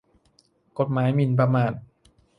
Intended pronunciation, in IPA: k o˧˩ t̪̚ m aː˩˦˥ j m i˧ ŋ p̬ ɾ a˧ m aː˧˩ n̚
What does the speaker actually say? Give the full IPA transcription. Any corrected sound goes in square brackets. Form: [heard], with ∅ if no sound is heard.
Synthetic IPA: k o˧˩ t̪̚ m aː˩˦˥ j m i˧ [n] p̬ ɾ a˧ m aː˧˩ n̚